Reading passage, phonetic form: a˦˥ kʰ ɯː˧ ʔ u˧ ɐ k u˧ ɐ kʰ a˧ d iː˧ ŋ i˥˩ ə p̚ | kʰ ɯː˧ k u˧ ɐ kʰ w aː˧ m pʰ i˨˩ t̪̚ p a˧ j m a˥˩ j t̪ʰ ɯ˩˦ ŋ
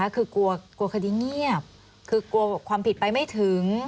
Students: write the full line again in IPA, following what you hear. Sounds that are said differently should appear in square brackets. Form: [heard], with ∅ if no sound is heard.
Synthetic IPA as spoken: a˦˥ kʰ ɯː˧ [k] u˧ ɐ k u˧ ɐ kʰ a˧ d iː˧ ŋ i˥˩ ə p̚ | kʰ ɯː˧ k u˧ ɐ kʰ w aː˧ m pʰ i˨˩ t̪̚ p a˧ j m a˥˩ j t̪ʰ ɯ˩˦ ŋ